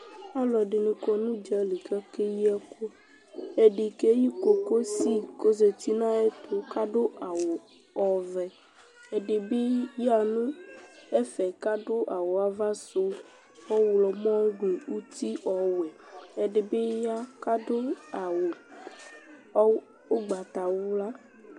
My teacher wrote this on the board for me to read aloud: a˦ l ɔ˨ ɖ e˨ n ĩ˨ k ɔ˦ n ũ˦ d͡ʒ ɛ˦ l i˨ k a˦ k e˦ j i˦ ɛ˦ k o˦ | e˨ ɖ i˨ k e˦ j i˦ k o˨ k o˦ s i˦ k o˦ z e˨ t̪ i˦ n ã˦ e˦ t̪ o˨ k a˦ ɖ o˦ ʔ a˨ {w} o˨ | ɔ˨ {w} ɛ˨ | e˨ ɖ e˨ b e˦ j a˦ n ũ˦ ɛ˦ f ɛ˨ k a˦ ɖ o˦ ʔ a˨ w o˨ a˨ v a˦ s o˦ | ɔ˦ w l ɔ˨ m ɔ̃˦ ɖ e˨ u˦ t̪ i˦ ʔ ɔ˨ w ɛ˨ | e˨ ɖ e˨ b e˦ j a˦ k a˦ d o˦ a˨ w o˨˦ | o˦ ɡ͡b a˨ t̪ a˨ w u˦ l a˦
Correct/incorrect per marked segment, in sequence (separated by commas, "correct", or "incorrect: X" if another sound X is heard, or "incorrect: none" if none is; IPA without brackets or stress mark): correct, incorrect: v